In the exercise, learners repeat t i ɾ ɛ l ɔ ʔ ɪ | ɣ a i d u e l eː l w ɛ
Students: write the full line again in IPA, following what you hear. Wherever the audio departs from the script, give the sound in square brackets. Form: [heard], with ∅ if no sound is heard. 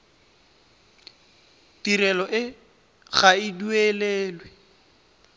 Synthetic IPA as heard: t i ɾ ɛ l ɔ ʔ ɪ | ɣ a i d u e l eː l w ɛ